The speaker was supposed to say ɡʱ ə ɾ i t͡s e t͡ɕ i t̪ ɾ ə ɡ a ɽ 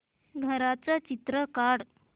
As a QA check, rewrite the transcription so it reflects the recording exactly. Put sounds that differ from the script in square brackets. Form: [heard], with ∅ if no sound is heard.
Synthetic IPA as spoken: ɡʱ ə ɾ [a] t͡s [a] t͡ɕ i t̪ ɾ ə [k] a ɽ